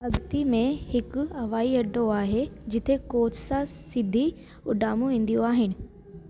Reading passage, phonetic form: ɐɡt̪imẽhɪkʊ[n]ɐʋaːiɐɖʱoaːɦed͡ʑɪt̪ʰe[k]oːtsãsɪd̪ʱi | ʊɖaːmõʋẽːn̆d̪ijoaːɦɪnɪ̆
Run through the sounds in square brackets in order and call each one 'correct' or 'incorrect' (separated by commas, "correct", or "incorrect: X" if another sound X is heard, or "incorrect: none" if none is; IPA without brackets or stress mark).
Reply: incorrect: none, correct